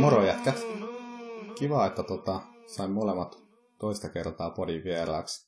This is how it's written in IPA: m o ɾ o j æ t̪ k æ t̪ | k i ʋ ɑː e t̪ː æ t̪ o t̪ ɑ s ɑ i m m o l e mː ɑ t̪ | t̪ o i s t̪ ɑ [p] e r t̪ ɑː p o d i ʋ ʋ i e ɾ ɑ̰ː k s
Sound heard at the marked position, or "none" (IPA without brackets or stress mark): k